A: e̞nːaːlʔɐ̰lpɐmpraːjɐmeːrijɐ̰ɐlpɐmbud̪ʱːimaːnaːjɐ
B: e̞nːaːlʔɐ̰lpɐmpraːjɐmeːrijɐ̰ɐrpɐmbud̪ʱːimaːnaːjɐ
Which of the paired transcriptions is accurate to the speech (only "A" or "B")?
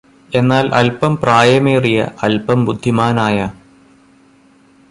A